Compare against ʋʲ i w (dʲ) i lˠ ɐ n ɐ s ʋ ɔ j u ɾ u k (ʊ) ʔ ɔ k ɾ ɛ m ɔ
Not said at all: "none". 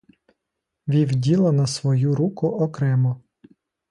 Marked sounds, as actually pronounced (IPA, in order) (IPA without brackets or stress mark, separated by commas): dʲ, ʊ